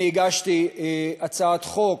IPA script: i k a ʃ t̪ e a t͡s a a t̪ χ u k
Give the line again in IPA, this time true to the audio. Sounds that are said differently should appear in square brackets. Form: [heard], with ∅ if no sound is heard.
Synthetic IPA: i [ɡ] a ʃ t̪ [i] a t͡s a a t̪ χ [o] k

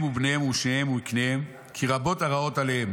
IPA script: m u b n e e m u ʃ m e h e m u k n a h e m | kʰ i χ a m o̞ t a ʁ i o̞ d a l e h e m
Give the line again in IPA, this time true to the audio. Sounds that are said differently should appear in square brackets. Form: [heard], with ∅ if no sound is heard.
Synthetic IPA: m u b n e e m u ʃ [n] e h e m u k n [e] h e m | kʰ i [ʁ] a [b] o̞ t a ʁ [a] o̞ [t] a l e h e m

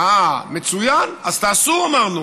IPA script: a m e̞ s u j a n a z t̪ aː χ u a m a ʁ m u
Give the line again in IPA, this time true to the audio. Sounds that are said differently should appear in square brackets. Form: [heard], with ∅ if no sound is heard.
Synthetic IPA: a m e̞ [t͡s] u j a n a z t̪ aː [s] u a m a ʁ [n] u

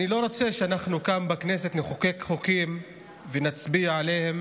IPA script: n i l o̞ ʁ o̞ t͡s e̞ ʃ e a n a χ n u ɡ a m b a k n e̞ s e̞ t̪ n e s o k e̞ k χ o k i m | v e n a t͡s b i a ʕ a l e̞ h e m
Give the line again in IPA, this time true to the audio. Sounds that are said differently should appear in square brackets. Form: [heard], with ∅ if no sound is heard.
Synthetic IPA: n i l o̞ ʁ o̞ t͡s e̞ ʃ e a n a χ n u [k] a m b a k n e̞ s e̞ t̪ n e [χ] o k e̞ k χ o k i m | v e n a t͡s b i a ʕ a l e̞ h e m

